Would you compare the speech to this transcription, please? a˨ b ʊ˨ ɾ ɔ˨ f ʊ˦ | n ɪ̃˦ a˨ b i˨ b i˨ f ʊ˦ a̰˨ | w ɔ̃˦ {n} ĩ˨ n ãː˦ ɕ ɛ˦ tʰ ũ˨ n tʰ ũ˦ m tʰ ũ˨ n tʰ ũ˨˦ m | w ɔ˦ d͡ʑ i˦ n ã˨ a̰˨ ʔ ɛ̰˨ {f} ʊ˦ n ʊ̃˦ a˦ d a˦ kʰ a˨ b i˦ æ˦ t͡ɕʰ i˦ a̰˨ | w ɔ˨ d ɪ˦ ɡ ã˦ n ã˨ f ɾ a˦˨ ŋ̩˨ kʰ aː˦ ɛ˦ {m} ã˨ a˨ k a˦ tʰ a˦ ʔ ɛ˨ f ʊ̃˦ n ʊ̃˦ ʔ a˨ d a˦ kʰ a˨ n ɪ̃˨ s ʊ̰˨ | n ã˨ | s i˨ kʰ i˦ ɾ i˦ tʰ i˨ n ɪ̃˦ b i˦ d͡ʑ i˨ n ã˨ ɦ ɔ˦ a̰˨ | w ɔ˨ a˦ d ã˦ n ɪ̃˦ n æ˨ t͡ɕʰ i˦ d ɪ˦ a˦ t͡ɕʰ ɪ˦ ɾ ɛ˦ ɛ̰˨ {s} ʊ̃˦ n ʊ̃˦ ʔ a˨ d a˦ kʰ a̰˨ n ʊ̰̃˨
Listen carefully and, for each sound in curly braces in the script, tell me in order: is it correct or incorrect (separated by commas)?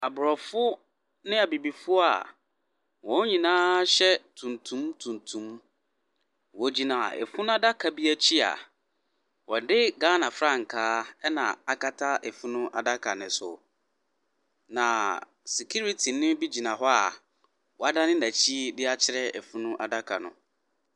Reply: incorrect, correct, incorrect, incorrect